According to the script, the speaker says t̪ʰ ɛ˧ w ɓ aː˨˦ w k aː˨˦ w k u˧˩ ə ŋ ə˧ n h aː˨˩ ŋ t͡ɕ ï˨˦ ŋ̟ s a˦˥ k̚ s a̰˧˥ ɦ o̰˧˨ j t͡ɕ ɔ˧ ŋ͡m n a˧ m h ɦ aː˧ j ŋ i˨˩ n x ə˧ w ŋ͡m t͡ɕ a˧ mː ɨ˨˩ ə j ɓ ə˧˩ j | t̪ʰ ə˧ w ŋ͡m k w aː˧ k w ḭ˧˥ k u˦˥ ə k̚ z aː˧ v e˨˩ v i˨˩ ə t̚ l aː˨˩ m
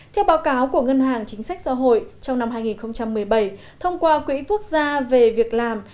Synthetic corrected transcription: t̪ʰ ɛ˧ w ɓ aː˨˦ w k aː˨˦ w k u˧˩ ə ŋ ə˧ n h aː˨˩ ŋ t͡ɕ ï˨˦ ŋ̟ s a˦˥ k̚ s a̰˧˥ ɦ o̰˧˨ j t͡ɕ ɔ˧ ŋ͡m n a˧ m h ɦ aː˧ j ŋ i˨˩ n x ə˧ w ŋ͡m t͡ɕ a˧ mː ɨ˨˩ ə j ɓ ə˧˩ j | t̪ʰ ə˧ w ŋ͡m k w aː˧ k w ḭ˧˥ k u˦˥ ə k̚ z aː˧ v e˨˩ v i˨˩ ə k̚ l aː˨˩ m

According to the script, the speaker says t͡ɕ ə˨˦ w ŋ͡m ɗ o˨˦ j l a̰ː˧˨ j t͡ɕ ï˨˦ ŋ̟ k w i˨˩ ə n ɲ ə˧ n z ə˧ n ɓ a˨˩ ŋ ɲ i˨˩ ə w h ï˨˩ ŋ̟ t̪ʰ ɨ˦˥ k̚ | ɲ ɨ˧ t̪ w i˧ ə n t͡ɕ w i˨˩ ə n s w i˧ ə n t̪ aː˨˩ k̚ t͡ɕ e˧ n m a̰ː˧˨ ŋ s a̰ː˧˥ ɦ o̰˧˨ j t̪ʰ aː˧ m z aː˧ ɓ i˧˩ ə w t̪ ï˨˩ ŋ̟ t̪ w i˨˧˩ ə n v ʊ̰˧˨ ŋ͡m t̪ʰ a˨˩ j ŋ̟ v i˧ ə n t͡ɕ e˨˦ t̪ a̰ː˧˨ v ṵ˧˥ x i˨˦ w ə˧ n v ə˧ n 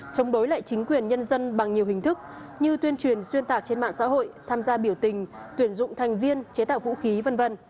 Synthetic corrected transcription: t͡ɕ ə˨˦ w ŋ͡m ɗ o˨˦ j l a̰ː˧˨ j t͡ɕ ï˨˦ ŋ̟ k w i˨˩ ə n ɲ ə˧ n z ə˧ n ɓ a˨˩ ŋ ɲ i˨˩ ə w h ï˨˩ ŋ̟ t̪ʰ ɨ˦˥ k̚ | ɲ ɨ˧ t̪ w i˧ ə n t͡ɕ w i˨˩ ə n s w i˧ ə n t̪ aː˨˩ k̚ t͡ɕ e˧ n m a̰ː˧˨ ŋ s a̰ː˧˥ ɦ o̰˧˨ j t̪ʰ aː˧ m z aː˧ ɓ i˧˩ ə w t̪ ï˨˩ ŋ̟ t̪ w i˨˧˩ ə n z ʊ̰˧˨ ŋ͡m t̪ʰ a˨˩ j ŋ̟ v i˧ ə n t͡ɕ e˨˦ t̪ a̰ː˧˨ v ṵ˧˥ x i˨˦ v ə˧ n v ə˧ n

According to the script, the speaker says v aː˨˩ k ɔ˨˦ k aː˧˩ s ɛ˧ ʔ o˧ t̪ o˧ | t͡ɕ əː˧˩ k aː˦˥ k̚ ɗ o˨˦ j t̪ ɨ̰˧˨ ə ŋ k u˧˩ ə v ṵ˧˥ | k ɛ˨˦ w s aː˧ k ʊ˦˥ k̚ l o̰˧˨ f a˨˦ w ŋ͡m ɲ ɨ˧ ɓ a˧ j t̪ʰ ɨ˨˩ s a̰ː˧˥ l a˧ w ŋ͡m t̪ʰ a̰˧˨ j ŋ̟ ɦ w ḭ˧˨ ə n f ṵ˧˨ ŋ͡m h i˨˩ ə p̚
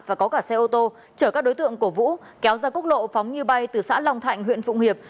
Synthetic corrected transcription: v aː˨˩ k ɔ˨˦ k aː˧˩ s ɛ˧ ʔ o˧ t̪ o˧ | t͡ɕ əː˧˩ k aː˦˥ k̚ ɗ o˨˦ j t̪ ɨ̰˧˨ ə ŋ k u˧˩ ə v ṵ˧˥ | k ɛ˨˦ w z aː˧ k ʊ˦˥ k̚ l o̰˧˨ f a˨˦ w ŋ͡m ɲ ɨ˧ ɓ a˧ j t̪ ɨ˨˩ s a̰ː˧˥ l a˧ w ŋ͡m t̪ʰ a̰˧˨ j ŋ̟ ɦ w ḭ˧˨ ə n f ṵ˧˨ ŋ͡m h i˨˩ ə p̚

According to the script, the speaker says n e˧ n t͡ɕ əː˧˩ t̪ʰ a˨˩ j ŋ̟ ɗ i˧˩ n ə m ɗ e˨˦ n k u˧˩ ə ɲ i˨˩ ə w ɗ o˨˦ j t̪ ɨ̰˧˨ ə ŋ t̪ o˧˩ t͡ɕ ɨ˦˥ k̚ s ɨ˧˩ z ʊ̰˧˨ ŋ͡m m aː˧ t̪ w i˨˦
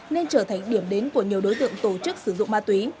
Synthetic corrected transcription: n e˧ n t͡ɕ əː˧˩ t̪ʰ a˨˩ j ŋ̟ ɗ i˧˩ ə m ɗ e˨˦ n k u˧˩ ə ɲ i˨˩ ə w ɗ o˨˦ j t̪ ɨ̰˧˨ ə ŋ t̪ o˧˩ t͡ɕ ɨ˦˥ k̚ s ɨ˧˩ z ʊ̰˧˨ ŋ͡m m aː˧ t̪ w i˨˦

